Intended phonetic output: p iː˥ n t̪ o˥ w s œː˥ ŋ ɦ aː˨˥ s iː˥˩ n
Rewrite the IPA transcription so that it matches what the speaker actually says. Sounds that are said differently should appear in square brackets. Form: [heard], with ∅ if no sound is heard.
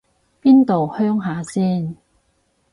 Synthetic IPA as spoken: p iː˥ n t̪ [o˨] w [h] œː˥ ŋ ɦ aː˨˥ s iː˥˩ n